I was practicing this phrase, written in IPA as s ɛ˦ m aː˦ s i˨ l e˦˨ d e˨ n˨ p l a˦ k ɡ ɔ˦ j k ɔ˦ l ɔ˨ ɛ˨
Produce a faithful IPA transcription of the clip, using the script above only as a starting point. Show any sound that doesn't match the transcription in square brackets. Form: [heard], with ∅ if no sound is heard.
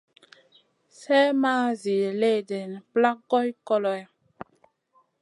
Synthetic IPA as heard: s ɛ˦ m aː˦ [z] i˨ l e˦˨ d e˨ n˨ p l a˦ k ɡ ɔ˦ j k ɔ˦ l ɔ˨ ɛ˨